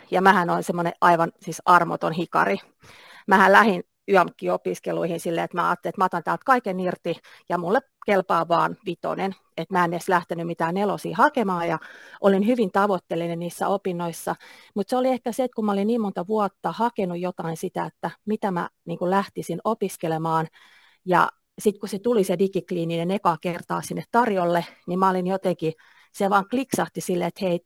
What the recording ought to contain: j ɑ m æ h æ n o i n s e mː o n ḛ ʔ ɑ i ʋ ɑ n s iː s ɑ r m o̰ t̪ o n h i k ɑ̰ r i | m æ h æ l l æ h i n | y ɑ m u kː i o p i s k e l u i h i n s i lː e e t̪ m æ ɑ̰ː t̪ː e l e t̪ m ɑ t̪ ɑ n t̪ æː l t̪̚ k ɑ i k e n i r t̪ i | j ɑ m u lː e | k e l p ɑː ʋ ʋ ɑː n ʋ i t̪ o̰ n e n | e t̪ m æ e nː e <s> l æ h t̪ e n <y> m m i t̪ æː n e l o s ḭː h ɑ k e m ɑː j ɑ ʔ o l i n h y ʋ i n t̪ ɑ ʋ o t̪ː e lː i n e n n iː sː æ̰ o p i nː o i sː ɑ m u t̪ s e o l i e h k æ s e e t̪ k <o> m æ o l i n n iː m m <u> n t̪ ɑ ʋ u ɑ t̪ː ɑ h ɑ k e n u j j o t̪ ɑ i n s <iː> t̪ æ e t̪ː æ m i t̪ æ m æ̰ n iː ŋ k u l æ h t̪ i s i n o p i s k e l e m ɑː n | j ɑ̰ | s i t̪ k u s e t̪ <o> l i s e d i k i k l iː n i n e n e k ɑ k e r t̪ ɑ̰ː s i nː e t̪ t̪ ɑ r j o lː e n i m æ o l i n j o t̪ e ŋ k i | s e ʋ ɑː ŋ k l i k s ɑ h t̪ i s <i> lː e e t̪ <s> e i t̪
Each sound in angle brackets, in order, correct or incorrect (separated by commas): correct, correct, incorrect, incorrect, incorrect, incorrect, correct, incorrect